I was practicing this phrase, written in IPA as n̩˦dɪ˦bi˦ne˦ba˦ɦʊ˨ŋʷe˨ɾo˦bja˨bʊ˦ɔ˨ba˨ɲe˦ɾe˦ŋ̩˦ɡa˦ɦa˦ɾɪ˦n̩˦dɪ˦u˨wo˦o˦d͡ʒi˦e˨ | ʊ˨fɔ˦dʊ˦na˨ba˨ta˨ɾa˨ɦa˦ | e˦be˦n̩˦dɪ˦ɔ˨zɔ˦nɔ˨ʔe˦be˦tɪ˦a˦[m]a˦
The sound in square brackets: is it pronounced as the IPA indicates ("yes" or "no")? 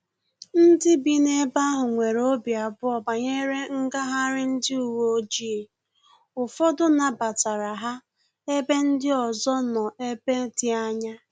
no